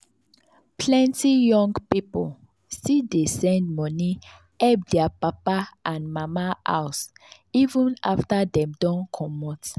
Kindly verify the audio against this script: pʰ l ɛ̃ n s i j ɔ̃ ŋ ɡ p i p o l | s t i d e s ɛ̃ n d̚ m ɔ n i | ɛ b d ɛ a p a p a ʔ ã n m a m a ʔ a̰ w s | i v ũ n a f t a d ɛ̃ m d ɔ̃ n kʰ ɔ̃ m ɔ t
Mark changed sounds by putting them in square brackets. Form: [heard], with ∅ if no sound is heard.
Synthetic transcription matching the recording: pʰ l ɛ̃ n [t] i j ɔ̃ ŋ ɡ p i p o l | s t i d e s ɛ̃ n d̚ m ɔ n i | ɛ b d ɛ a p a p a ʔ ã n m a m a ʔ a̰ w s | i v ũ n a f t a d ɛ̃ m d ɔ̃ n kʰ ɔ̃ m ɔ t